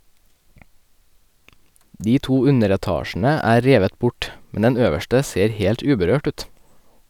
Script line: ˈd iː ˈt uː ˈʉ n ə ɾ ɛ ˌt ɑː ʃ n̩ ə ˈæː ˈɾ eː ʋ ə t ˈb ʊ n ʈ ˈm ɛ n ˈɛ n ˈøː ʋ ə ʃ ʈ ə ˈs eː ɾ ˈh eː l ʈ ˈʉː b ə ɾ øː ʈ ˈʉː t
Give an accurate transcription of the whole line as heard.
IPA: ˈd iː ˈt uː ˈʉ n ə ɾ ɛ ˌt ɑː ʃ n̩ ə ˈæː ˈɾ eː ʋ ə t ˈb ʊ ʈ ˈm ɛ n ˈɛ n ˈøː ʋ ə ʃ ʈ ə ˈs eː ɾ ˈh eː l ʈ ˈʉː b ə ɾ øː ʈ ˈʉː t